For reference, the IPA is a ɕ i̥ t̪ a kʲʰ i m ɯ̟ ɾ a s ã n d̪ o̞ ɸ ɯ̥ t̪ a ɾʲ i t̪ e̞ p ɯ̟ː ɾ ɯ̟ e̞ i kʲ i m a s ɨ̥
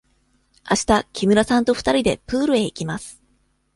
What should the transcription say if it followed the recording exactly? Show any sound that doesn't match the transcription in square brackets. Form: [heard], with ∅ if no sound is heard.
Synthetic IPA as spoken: a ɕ i̥ t̪ a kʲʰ i m ɯ̟ ɾ a s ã n [t̪] o̞ ɸ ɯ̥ t̪ a ɾʲ i [d̪] e̞ p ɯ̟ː ɾ ɯ̟ e̞ i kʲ i m a s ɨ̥